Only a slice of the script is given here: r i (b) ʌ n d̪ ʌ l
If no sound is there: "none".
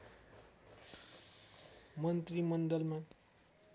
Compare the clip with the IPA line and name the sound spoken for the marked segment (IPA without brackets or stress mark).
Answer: m